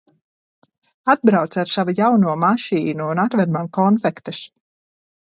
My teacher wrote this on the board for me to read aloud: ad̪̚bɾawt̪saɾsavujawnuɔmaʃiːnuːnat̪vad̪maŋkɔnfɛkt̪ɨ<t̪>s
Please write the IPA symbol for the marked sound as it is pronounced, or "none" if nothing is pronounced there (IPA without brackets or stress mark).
none